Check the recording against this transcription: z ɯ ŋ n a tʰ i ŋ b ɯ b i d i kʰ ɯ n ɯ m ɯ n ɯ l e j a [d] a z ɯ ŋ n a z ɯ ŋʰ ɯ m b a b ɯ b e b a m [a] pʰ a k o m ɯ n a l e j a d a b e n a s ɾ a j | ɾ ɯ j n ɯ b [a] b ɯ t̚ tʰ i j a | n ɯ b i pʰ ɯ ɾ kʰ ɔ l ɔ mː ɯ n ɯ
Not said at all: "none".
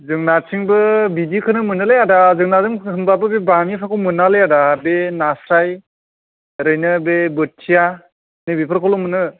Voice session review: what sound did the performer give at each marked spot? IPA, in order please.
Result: d, i, e

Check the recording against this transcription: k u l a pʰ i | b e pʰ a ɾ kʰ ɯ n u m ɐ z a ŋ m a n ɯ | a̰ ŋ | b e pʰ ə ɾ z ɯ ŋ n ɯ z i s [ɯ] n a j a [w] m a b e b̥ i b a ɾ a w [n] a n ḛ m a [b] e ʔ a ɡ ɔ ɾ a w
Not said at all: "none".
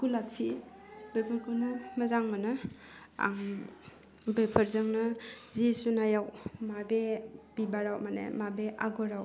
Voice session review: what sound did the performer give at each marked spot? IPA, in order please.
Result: u, w, m, b

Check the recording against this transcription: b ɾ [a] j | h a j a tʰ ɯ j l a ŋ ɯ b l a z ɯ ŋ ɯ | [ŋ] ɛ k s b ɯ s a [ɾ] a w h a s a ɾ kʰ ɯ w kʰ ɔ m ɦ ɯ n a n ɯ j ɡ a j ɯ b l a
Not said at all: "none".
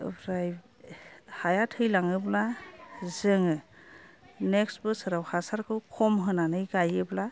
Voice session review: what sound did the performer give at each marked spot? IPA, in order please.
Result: a, n, ɾ

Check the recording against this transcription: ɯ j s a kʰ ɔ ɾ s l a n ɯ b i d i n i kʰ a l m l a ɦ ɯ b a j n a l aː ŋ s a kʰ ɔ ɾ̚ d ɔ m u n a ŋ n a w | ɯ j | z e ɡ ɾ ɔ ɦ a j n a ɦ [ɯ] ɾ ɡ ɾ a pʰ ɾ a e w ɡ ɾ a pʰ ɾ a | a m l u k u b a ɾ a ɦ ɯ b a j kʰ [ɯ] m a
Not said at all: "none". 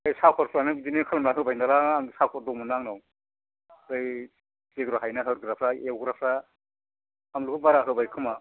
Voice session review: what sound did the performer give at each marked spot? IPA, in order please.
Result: ɯ, ɯ

